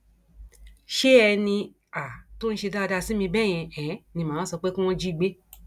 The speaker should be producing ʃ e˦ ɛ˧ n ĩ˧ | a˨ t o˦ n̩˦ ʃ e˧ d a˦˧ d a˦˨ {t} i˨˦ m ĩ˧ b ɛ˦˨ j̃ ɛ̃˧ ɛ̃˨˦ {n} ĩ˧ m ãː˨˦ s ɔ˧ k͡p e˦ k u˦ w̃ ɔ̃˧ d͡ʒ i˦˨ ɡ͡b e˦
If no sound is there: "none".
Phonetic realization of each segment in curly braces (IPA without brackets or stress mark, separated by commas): s, n